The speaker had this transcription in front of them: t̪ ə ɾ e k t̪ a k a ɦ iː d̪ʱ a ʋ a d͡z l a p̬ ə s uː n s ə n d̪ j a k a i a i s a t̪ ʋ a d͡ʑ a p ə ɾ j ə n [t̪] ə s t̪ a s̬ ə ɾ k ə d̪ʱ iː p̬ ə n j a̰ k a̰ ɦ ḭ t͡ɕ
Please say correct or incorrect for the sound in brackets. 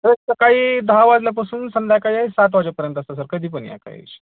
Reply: correct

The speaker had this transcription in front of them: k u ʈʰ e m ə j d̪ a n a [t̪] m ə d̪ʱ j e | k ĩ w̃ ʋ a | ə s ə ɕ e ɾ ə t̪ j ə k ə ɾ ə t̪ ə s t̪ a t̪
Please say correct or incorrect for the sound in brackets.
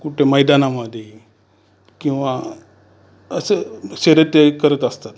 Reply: incorrect: none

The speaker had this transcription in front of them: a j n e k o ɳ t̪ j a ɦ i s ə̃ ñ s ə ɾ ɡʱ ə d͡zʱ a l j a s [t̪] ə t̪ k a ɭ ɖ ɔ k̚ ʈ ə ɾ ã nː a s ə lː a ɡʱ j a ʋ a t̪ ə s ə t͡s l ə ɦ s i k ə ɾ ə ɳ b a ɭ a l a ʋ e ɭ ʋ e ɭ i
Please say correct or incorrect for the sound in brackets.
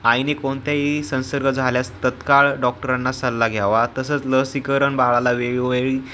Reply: correct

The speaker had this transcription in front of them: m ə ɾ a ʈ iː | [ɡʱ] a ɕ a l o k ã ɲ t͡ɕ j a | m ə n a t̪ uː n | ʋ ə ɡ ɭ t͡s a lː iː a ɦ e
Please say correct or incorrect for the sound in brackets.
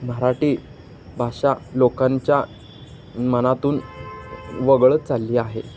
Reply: incorrect: bʱ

